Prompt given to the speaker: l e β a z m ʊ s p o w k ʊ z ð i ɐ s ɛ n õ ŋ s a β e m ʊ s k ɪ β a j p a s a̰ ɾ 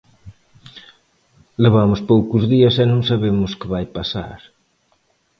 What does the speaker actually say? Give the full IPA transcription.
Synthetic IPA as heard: l e β a m ʊ s p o w k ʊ z ð i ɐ s ɛ n õ ŋ s a β e m ʊ s k ɪ β a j p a s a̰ ɾ